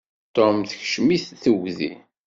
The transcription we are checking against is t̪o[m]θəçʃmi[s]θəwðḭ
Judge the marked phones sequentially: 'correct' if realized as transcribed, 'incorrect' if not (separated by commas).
correct, incorrect